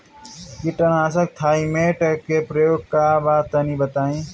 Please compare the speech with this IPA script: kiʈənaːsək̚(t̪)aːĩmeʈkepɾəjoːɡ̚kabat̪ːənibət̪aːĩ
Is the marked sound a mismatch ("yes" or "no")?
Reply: yes